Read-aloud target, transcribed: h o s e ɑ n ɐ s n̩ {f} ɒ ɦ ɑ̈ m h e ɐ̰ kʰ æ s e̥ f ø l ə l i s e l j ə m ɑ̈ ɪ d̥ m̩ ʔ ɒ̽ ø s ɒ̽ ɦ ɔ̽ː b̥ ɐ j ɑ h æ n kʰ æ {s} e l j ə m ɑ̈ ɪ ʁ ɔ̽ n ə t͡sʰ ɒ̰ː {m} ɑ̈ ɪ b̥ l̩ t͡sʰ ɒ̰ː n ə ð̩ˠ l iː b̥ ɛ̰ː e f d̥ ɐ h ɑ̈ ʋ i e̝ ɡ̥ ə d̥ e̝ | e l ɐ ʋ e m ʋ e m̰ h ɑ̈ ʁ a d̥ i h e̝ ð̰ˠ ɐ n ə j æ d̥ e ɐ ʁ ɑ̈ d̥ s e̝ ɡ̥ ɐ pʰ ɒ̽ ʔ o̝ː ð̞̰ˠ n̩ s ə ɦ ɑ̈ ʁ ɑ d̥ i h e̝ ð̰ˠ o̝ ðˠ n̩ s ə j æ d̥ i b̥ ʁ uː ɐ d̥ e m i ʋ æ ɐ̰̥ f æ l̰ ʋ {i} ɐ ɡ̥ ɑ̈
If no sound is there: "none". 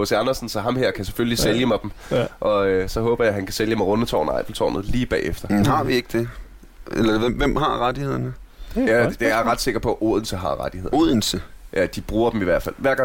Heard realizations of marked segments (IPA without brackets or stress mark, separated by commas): s, s, n, æ